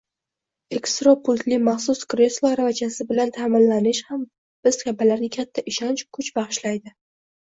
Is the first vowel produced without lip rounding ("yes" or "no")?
yes